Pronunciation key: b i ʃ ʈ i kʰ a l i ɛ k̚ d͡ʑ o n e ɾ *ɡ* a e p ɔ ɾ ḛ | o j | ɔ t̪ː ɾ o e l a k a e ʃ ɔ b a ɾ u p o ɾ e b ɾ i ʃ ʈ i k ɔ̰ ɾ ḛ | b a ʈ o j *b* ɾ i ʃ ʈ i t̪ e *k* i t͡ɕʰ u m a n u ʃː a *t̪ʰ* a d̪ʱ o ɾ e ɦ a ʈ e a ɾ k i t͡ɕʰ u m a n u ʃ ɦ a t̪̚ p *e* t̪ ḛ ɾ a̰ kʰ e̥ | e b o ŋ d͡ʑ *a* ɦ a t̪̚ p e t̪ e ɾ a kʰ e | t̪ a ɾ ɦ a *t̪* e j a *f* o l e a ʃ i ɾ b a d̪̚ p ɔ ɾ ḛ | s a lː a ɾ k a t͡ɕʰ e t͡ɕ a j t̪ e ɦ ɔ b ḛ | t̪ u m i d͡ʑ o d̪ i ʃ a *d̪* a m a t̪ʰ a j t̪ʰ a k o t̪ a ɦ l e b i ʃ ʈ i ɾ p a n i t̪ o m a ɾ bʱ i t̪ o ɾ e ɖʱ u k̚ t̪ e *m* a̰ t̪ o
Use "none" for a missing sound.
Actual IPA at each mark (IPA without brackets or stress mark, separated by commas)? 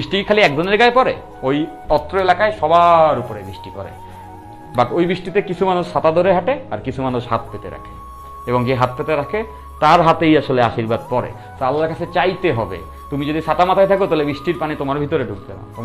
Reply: ɡ, b, k, t̪, e, e, t̪, ʃ, t̪, n